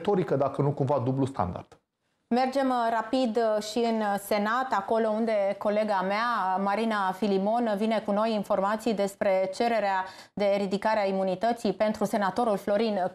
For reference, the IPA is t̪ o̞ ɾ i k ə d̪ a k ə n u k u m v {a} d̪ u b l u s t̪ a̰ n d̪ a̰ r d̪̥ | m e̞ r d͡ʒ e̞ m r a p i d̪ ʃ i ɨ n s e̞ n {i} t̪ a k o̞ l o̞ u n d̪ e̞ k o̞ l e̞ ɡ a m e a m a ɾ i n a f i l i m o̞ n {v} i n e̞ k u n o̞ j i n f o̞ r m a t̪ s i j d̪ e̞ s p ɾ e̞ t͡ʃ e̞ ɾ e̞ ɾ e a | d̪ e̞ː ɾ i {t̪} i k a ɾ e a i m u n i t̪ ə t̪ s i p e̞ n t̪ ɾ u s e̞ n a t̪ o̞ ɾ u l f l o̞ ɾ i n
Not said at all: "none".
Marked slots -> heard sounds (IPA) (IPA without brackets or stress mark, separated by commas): a, a, v, d̪